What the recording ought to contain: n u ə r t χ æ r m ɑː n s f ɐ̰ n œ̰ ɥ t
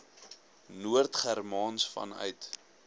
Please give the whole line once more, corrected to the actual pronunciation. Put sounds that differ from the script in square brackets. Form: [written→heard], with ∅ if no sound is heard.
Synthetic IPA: n u ə r t χ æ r m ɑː n s f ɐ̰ n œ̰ ɥ t

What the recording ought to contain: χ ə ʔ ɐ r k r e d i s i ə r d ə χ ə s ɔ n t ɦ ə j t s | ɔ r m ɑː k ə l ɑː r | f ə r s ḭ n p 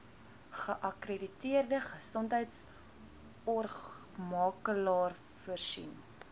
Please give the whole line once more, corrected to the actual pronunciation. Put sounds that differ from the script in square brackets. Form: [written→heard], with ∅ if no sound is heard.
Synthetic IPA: χ ə ʔ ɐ [r→∅] k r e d i [s→t] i ə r d ə χ ə s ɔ n t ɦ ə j t s | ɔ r m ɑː k ə l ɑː r | f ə r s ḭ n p

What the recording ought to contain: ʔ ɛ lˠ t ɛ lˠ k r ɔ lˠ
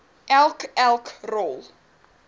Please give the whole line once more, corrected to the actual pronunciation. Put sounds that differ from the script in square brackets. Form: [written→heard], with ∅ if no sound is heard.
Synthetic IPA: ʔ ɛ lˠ [t→k] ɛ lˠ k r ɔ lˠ

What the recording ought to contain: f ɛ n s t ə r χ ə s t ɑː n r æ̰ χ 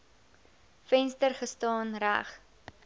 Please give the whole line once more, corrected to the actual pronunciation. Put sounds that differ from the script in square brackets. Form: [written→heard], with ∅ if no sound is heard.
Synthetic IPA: f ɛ n s t ə r χ ə s t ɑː n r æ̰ χ

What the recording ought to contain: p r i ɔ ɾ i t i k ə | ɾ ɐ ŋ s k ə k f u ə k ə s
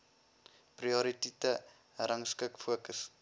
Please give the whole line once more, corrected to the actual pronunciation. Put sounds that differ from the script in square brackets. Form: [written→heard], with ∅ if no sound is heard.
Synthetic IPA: p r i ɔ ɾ i t i [k→t] ə | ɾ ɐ ŋ s k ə k f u ə k ə s

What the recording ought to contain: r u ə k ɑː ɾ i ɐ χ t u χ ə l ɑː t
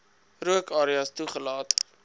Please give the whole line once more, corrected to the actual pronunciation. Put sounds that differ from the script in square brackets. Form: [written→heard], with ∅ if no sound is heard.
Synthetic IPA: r u ə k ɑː ɾ i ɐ [χ→s] t u χ ə l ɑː t

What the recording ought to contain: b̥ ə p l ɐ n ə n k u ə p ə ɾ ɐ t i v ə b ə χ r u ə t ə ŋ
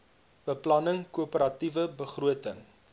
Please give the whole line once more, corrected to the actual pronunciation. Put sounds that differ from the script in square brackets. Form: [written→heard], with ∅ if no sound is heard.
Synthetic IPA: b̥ ə p l ɐ n ə [n→ŋ] k u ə p ə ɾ ɐ t i v ə b ə χ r u ə t ə ŋ

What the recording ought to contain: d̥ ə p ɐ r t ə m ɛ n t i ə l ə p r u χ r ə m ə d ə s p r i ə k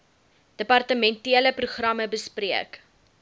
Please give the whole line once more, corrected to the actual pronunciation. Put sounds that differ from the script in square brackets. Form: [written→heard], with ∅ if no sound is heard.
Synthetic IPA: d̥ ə p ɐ r t ə m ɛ n t i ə l ə p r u χ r [ə→ɐ] m ə [d→b] ə s p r i ə k

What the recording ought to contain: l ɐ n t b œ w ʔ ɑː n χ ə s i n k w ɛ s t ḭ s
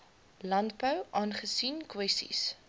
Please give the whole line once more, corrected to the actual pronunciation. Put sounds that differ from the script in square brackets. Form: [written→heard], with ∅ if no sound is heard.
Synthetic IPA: l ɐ n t b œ w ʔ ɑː n χ ə s i n k w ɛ s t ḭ s

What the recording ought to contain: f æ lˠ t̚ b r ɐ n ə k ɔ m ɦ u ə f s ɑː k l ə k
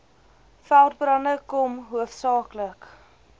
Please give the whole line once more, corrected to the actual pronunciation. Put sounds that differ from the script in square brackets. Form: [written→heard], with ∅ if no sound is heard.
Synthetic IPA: f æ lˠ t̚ b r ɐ n ə k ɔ m ɦ u ə f s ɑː k l ə k

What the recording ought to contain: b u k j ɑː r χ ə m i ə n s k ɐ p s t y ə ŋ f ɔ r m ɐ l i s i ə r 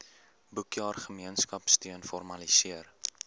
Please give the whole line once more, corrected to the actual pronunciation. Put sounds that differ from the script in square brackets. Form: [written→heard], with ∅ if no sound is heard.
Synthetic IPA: b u k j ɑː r χ ə m i ə n s k ɐ p s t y ə [ŋ→n] f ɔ r m ɐ l i s i ə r

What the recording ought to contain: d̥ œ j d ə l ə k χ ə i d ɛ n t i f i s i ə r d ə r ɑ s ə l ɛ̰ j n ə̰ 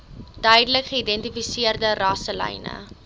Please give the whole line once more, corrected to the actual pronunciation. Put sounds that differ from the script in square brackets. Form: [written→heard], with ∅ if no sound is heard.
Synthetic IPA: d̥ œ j d ə l ə k χ ə i d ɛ n t i f i s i ə r d ə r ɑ s ə l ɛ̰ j n ə̰

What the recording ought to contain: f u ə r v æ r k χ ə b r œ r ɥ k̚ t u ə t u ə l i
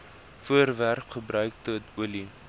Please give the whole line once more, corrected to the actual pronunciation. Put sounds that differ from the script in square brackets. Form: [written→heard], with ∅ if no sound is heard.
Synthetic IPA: f u ə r v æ r k χ ə b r œ [r→∅] ɥ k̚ t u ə t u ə l i

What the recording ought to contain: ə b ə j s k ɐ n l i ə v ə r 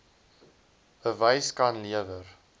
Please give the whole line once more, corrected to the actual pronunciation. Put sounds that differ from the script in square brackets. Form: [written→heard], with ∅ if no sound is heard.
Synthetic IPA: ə [b→v] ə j s k ɐ n l i ə v ə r

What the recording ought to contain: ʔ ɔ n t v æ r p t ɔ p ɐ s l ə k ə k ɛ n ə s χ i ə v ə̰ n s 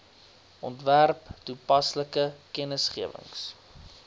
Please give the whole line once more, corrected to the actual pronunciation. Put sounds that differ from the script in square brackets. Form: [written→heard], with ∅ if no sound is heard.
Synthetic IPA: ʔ ɔ n t v æ r p t [ɔ→u] p ɐ s l ə k ə k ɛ n ə s χ i ə v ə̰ [n→ŋ] s

